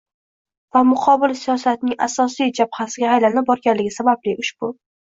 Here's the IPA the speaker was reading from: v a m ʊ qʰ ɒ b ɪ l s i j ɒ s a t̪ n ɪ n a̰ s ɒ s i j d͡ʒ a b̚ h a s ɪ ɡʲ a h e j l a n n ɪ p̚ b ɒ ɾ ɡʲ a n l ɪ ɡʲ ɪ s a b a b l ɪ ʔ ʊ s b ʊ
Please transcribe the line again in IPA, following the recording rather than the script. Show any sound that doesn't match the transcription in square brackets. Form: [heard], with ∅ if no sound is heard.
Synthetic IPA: v a m ʊ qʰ ɒ b ɪ l s i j ɒ s a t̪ n ɪ [ŋ] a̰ s ɒ s i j d͡ʒ a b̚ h a s ɪ ɡʲ a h [a] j l a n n ɪ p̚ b ɒ ɾ ɡʲ a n l ɪ ɡʲ ɪ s a b a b l ɪ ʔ ʊ [ʃ] b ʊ